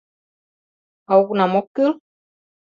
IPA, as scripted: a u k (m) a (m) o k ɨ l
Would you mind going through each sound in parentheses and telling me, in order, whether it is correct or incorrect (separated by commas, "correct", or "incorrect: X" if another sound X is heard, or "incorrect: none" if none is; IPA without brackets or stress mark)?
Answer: incorrect: n, correct